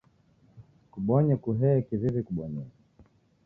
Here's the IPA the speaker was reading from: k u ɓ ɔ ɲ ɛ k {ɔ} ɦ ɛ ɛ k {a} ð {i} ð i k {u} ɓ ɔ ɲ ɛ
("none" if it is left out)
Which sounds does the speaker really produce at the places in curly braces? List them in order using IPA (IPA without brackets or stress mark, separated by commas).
u, i, i, u